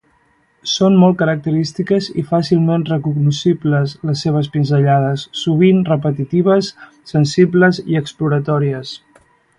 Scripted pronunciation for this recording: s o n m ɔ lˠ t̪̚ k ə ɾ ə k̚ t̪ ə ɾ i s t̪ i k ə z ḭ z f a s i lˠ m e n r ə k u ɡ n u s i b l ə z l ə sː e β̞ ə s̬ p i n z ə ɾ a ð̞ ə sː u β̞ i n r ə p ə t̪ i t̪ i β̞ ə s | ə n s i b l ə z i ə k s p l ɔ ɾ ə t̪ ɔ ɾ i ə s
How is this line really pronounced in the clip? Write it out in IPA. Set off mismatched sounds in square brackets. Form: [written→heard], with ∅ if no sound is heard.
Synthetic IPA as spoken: s o n m ɔ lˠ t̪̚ k ə ɾ ə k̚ t̪ ə ɾ i s t̪ i k ə z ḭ [z→∅] f a s i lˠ m e n r ə k u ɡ n u s i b l ə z l ə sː e β̞ ə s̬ p i n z ə [ɾ→ʎ] a ð̞ ə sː u β̞ i n r ə p ə t̪ i t̪ i β̞ ə [s→sː] | ə n s i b l ə z i ə k s p l [ɔ→u] ɾ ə t̪ ɔ ɾ i ə s